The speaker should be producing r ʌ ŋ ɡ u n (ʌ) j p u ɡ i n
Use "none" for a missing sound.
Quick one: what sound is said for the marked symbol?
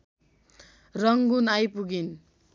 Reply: a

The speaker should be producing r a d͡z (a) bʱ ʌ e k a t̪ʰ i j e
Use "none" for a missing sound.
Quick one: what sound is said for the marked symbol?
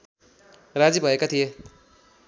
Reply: i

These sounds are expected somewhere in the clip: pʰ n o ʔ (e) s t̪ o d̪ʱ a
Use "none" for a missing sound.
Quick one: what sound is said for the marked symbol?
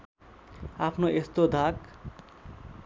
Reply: e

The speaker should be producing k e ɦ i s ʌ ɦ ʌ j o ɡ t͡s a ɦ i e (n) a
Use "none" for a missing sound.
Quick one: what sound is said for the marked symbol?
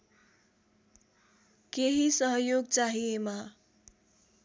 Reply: m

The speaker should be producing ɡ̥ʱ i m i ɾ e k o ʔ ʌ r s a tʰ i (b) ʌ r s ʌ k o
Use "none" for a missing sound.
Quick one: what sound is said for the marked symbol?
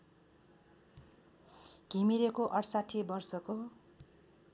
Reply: b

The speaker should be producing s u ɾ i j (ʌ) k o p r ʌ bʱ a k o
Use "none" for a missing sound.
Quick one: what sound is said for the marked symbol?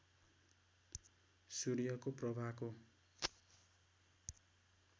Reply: ʌ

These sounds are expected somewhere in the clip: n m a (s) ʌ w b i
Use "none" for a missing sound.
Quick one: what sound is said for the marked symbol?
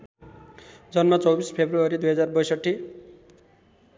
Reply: t͡s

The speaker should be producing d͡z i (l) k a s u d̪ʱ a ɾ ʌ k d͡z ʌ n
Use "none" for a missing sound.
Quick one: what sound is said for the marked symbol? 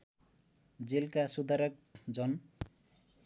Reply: l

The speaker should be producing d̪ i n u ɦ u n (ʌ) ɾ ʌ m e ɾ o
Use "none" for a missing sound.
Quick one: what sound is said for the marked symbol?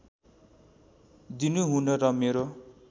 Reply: ʌ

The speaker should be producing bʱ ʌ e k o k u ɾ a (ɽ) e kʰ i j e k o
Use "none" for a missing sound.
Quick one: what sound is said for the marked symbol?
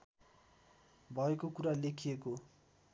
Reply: l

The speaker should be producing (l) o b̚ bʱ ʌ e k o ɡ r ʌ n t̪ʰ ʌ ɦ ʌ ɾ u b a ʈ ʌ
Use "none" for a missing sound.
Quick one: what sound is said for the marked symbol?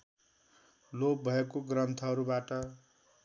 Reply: l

